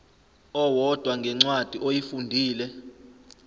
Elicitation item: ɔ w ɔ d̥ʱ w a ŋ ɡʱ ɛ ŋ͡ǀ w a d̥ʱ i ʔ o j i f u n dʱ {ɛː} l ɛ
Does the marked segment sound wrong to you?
yes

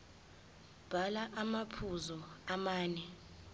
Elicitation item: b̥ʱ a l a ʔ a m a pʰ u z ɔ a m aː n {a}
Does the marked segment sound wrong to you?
yes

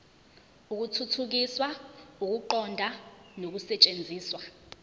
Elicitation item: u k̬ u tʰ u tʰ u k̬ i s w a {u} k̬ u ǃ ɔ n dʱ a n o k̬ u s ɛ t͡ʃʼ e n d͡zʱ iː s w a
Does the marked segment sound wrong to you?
no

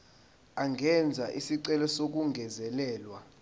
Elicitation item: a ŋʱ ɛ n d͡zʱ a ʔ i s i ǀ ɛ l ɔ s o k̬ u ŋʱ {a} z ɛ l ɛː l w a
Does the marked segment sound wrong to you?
yes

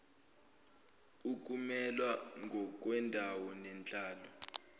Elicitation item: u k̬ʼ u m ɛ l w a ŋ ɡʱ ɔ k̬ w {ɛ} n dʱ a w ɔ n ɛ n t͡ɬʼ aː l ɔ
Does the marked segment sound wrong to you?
no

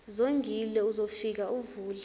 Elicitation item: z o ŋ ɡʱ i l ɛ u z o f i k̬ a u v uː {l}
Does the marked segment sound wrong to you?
no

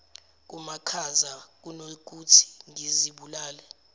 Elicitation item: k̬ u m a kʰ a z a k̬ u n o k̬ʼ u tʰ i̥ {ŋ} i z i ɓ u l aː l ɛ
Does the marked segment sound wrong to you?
no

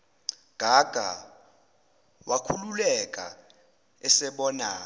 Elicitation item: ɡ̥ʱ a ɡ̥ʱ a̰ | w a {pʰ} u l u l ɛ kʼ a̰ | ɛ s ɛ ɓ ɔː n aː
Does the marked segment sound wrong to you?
yes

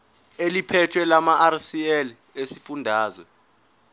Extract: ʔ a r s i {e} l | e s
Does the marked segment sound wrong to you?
yes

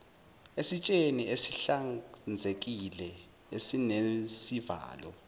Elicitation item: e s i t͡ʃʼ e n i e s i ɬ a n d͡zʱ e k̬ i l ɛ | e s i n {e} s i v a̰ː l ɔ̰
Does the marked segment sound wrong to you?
no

